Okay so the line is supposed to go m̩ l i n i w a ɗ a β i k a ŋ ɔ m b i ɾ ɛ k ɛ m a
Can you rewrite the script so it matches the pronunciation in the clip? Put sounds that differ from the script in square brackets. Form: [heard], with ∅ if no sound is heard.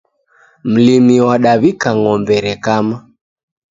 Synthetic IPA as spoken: m̩ l i [m] i w a ɗ a β i k a ŋ ɔ m b [ɛ] ɾ ɛ k [a] m a